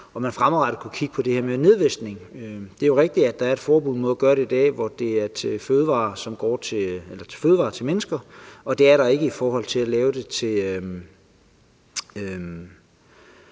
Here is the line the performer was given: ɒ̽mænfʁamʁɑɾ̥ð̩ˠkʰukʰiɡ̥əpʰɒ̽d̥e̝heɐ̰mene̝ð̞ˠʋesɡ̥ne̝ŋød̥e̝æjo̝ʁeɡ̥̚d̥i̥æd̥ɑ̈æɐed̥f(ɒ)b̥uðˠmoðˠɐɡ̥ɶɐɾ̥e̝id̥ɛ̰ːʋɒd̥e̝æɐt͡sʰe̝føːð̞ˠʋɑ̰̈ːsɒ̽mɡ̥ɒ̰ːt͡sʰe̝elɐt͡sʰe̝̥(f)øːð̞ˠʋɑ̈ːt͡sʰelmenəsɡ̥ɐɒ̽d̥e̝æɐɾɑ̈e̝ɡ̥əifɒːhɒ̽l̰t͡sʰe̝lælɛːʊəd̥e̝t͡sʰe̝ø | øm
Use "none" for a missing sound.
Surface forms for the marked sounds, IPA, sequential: ɒː, f

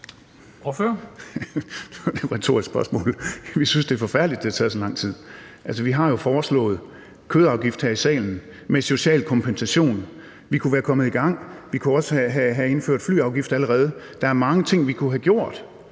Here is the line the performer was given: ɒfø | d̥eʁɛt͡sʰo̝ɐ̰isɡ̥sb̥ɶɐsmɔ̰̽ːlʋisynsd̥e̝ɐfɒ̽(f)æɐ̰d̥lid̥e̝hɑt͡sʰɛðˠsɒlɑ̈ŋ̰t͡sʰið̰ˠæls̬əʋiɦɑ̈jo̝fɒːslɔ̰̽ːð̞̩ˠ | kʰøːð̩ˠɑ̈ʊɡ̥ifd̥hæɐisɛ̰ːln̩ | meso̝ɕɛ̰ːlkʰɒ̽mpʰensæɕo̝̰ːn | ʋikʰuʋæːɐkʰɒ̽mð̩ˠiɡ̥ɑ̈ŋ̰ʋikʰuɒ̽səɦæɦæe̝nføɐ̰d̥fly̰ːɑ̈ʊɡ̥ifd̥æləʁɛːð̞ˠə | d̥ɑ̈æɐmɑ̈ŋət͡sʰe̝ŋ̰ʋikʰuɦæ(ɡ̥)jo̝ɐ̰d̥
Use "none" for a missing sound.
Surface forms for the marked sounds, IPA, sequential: f, ɡ̥

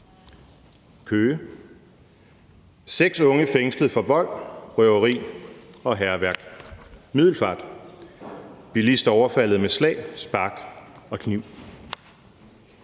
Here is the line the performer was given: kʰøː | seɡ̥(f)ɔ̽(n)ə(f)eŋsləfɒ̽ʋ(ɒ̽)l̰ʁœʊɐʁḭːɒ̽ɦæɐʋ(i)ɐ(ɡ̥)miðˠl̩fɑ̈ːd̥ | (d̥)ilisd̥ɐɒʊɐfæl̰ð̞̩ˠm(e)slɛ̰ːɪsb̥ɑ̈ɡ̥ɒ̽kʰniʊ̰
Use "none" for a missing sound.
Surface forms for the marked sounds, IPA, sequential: s, ŋ, f, ɒ̽, æ, ɡ̥, b̥, e

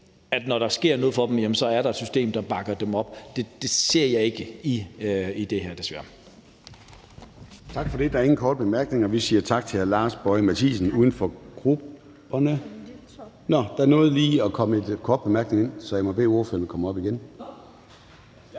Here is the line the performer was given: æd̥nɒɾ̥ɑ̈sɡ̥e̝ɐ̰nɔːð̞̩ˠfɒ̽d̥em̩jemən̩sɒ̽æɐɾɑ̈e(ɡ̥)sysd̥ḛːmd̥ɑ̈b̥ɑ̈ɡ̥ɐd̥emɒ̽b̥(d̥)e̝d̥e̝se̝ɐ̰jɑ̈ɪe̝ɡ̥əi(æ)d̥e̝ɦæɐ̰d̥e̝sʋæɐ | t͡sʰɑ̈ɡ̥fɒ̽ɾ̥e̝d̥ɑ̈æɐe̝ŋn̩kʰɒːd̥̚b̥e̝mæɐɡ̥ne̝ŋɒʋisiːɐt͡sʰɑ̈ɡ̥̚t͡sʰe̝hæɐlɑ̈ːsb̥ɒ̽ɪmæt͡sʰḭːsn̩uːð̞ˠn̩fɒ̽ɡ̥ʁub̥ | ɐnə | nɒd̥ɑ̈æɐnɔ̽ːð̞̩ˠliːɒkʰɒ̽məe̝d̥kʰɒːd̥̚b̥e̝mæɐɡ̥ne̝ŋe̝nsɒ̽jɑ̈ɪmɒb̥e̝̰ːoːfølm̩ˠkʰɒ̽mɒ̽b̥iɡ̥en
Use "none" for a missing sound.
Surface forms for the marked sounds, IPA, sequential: d̥, d̥, i

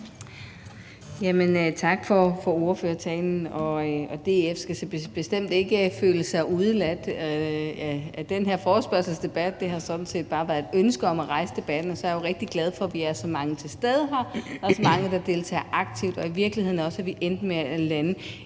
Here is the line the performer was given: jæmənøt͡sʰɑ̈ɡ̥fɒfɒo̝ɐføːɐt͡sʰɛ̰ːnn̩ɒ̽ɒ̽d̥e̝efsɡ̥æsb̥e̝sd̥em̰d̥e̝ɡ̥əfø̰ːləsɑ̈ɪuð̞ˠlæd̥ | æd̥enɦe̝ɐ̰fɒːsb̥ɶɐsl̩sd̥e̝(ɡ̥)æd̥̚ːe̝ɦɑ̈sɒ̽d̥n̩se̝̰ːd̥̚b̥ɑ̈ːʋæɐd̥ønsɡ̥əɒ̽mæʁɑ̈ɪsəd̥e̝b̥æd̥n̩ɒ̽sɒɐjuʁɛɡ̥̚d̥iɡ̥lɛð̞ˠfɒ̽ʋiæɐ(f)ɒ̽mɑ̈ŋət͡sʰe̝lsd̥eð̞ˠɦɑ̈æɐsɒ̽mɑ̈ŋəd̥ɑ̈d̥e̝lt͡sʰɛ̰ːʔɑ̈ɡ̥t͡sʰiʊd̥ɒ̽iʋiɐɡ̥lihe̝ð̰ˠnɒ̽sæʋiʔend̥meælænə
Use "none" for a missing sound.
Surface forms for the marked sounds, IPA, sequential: b̥, s

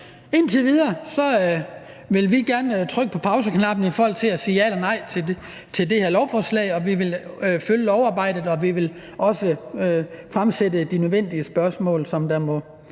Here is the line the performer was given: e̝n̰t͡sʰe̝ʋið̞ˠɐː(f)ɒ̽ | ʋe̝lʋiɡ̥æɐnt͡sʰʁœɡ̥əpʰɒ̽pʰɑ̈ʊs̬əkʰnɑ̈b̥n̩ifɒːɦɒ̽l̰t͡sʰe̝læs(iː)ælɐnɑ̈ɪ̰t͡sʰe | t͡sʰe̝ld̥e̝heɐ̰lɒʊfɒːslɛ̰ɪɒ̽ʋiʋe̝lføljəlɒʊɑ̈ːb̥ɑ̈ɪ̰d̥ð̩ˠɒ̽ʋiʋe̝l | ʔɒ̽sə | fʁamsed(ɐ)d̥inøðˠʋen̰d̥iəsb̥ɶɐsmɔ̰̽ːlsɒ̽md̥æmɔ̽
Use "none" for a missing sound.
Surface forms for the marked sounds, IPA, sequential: s, iː, ə

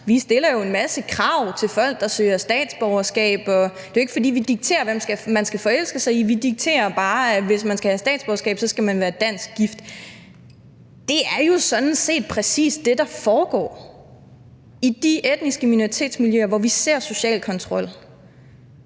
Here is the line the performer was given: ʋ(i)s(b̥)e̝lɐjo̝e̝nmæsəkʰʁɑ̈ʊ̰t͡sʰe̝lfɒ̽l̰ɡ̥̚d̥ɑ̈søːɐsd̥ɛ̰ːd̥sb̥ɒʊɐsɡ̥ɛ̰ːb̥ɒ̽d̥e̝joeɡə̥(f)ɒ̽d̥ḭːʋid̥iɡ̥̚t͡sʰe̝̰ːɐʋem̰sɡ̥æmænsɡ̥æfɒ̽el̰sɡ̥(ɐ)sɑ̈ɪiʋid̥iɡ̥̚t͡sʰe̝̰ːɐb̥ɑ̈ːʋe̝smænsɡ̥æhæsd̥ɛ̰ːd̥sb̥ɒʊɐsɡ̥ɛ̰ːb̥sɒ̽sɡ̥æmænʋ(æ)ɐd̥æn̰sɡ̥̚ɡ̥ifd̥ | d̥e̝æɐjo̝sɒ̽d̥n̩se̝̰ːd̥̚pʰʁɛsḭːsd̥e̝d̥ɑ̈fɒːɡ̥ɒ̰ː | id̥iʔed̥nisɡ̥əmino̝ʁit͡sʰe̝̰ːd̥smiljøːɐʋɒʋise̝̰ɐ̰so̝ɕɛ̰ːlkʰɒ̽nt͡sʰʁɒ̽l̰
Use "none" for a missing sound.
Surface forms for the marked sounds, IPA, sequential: i, d̥, f, ə, æː

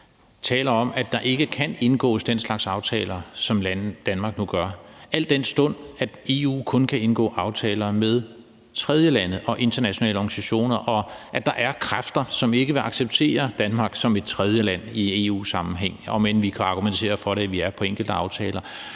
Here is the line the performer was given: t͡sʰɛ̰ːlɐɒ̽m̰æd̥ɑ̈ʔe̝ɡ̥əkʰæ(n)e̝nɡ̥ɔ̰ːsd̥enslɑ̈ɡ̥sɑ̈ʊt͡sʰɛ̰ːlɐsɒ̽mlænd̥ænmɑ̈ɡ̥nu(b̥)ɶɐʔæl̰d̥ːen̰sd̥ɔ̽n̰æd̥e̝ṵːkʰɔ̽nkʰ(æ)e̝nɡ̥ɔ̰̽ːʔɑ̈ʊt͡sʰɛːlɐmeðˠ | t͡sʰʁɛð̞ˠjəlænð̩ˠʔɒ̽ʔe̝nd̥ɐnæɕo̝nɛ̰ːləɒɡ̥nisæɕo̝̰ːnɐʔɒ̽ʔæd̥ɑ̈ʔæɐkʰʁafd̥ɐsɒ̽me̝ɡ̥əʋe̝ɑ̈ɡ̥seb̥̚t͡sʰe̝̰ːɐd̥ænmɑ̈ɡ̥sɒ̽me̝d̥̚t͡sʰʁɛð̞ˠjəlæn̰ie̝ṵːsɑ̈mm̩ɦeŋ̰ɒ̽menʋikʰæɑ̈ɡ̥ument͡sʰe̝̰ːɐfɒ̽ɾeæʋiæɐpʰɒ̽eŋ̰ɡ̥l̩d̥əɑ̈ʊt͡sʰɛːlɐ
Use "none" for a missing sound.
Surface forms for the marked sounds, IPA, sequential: n, ɡ̥, æ

